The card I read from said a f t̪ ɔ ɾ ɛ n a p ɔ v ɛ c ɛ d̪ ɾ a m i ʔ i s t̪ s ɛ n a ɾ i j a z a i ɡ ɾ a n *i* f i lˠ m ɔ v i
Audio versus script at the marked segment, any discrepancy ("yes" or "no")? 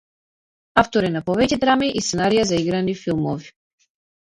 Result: no